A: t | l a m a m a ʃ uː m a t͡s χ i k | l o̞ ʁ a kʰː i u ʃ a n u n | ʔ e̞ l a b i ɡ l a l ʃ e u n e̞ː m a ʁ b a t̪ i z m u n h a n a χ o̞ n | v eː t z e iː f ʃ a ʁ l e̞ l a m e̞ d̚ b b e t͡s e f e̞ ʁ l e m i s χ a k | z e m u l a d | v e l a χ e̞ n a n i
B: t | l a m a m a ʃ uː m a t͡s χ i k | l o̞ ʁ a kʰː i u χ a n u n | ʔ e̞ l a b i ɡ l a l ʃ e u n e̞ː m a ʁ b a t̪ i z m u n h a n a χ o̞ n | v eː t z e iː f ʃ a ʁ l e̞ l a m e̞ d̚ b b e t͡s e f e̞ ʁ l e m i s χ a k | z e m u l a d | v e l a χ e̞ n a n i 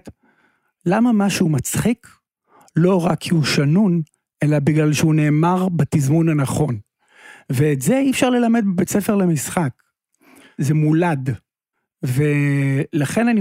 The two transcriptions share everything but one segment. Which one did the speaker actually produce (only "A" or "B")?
A